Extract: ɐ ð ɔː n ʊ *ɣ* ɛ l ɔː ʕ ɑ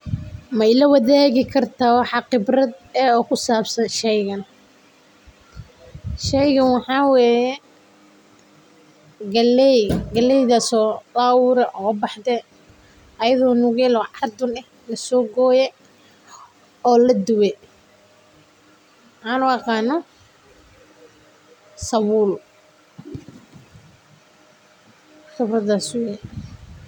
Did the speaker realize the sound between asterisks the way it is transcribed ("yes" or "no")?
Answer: yes